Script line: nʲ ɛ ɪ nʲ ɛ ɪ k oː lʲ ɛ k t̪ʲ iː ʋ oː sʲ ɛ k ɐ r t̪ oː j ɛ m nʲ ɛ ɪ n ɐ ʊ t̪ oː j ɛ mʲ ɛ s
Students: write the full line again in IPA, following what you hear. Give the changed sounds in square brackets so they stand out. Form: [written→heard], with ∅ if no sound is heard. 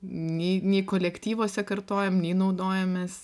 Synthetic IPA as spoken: nʲ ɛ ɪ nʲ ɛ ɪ k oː lʲ ɛ k t̪ʲ iː ʋ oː sʲ ɛ k ɐ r t̪ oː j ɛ m nʲ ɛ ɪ n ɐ ʊ [t̪→d̪] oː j ɛ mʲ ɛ s